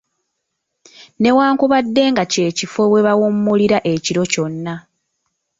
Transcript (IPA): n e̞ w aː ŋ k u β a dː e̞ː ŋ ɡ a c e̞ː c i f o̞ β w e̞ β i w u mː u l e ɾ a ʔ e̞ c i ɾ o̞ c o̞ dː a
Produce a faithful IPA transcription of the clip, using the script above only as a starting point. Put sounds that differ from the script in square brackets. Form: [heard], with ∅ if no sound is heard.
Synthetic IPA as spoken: n e̞ w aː ŋ k u β a dː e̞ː ŋ ɡ a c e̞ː c i f o̞ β w e̞ β [a] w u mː u l [i] ɾ a ʔ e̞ c i ɾ o̞ c o̞ [nː] a